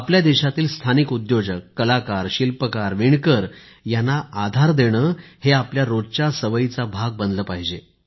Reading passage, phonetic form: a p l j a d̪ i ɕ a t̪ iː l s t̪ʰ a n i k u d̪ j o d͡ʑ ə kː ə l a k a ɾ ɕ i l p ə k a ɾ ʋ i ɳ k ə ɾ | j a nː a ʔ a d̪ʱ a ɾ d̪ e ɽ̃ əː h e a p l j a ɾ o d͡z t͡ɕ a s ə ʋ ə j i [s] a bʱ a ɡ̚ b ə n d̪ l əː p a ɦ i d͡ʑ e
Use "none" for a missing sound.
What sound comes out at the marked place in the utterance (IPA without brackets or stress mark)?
t͡s